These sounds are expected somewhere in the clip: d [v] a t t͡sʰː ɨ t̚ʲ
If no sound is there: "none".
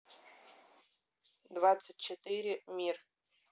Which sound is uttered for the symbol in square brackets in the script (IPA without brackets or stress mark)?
v